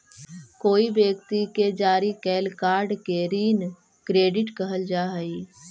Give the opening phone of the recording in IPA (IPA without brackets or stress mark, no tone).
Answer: k